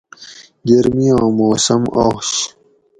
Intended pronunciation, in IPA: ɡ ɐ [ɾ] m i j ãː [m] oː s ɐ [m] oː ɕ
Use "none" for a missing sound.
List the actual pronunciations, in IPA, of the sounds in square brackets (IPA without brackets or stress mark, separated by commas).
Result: ɾ, m, m